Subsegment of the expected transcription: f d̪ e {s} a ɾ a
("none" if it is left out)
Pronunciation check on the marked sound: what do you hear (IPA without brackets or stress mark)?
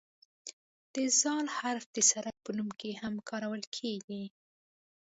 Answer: s